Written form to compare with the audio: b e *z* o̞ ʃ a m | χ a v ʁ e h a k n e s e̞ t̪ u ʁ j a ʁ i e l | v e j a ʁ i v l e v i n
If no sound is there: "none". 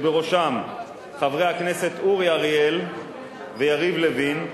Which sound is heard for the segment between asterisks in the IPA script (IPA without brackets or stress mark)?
ʁ